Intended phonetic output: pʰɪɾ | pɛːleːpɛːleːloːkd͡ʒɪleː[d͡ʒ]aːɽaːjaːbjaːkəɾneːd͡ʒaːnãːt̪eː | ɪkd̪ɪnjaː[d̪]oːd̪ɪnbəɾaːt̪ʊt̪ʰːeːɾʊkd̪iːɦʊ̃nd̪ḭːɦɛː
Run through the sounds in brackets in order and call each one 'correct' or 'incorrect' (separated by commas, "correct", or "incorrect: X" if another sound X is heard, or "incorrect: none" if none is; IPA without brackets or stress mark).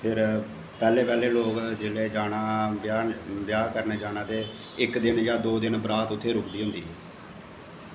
correct, correct